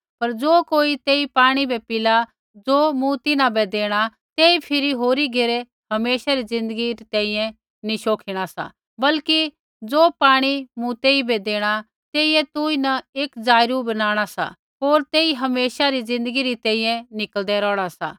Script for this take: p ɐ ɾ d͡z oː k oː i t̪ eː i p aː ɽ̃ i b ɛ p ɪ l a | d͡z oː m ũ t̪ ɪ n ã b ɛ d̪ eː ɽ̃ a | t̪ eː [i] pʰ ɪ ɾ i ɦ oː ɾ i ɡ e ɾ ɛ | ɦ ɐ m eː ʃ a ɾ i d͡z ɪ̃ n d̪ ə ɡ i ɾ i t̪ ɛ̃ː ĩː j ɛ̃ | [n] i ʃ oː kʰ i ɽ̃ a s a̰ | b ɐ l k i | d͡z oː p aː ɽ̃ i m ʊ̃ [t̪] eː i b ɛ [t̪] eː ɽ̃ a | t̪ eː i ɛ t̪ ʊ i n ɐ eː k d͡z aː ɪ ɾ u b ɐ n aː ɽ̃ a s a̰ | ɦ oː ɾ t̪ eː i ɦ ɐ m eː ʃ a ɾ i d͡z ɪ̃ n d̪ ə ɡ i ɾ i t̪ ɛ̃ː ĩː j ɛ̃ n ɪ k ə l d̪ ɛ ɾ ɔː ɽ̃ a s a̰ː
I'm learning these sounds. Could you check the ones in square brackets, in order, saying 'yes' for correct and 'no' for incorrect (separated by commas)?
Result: yes, yes, yes, no